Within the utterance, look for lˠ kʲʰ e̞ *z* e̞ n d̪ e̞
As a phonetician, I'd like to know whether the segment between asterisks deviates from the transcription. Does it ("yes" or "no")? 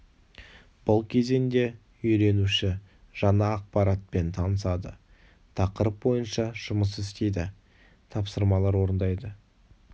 no